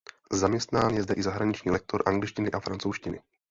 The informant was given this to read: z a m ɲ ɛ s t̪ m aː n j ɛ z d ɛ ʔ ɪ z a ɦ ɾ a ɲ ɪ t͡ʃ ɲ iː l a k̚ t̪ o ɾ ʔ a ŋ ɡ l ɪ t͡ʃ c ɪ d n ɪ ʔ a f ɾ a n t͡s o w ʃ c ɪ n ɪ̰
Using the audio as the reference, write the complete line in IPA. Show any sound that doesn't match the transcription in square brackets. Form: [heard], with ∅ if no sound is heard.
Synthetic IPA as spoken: z a m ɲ ɛ s t̪ [n] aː n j ɛ z d ɛ ʔ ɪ z a ɦ ɾ a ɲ ɪ t͡ʃ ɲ iː l [ɛ] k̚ t̪ o ɾ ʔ a ŋ ɡ l ɪ t͡ʃ c ɪ [∅] n ɪ ʔ a f ɾ a n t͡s o w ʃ c ɪ n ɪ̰